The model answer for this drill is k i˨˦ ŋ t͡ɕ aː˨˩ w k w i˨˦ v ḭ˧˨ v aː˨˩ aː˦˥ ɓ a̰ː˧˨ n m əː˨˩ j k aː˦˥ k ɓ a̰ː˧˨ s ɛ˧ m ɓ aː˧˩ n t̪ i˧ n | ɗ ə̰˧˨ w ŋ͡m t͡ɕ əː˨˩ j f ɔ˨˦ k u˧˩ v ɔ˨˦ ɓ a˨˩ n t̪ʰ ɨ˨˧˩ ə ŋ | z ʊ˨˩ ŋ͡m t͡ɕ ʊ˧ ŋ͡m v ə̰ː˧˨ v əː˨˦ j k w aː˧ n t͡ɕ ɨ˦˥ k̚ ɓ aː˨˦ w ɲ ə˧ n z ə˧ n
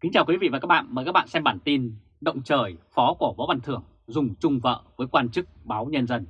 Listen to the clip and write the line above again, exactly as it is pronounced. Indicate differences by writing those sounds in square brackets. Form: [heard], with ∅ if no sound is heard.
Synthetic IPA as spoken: k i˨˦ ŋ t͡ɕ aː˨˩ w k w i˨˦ v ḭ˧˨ v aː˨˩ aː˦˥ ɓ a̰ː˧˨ n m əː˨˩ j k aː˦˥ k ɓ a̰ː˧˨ s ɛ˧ m ɓ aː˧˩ n t̪ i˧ n | ɗ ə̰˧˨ w ŋ͡m t͡ɕ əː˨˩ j f ɔ˨˦ k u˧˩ v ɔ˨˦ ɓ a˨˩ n t̪ʰ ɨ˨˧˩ ə ŋ | z ʊ˨˩ ŋ͡m t͡ɕ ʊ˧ ŋ͡m v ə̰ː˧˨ v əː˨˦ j k w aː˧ n t͡ɕ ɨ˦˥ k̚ ɓ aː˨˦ w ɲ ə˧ n z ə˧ n